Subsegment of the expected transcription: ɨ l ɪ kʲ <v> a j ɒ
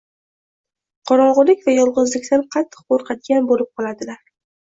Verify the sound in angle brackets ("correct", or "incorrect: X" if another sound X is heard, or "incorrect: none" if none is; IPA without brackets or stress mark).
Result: correct